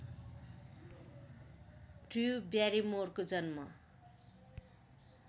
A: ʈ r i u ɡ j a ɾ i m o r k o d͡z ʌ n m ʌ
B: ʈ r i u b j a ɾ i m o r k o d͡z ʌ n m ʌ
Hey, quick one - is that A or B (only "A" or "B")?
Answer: B